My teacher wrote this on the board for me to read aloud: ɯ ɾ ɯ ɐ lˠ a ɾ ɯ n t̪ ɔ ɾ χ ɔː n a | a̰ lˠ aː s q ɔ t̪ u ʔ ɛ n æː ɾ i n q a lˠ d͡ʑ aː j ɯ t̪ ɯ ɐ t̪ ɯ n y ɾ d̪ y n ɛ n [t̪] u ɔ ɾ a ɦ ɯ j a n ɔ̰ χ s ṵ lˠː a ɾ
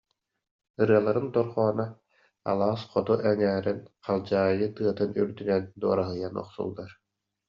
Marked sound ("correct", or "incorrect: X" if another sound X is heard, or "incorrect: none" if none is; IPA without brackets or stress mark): incorrect: d̪